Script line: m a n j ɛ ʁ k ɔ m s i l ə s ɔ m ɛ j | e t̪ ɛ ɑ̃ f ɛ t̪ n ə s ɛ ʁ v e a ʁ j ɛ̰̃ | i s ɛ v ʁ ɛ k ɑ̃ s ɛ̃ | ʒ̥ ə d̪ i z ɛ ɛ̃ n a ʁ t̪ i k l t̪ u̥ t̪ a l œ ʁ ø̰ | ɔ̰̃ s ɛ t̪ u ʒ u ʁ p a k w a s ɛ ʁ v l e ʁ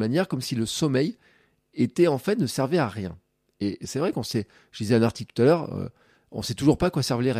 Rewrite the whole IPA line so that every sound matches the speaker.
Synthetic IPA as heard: m a n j ɛ ʁ k ɔ m s i l ə s ɔ m ɛ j | e t̪ ɛ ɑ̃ f ɛ t̪ n ə s ɛ ʁ v e a ʁ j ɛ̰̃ | e s ɛ v ʁ ɛ k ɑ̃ s ɛ | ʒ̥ ə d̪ i z ɛ ɛ̃ n a ʁ t̪ i k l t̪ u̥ t̪ a l œ ʁ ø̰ | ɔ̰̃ s ɛ t̪ u ʒ u ʁ p a k w a s ɛ ʁ v l e ʁ